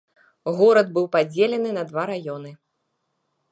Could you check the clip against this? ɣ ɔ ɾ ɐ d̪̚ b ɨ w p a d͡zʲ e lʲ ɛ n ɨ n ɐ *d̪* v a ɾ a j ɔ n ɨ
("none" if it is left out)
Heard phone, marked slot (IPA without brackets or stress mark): d̪